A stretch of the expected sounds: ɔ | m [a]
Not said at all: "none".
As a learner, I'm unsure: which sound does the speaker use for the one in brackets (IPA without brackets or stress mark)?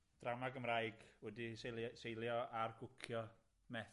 ɛ